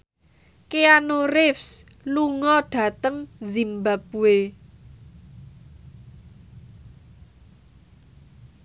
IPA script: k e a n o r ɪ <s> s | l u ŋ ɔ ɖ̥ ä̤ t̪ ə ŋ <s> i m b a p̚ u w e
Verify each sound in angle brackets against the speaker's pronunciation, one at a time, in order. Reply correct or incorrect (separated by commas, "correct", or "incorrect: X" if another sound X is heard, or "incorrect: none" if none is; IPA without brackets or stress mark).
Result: incorrect: f, incorrect: z